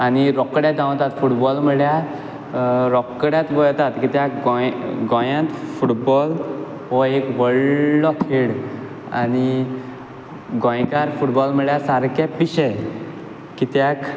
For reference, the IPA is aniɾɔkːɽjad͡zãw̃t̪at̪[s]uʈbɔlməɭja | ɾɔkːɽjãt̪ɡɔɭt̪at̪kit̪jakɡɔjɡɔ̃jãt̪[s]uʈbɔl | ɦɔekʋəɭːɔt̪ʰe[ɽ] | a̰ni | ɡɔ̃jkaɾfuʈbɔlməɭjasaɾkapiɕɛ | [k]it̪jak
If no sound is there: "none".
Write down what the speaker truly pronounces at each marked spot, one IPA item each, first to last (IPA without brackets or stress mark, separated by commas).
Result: f, f, ɽ, k